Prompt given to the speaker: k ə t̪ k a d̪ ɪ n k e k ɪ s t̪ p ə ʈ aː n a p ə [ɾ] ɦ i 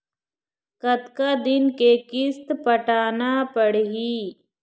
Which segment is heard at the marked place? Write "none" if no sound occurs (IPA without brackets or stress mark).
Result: ɽ